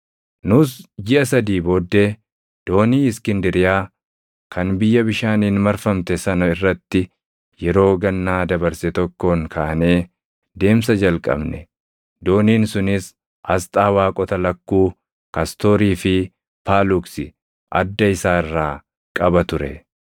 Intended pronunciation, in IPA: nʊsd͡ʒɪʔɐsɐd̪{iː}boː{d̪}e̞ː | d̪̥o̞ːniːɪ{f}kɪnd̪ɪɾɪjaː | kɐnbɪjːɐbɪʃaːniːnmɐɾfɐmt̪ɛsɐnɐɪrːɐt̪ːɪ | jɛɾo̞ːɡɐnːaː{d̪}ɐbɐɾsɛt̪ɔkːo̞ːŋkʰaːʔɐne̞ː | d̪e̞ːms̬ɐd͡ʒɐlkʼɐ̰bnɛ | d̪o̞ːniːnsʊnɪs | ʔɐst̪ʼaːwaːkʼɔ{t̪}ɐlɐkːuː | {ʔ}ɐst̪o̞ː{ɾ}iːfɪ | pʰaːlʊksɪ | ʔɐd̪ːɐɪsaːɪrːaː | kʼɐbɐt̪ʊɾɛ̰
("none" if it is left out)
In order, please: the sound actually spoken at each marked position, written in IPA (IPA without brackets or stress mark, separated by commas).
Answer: iː, d̪ː, s, d̪, t̪, k, ɾ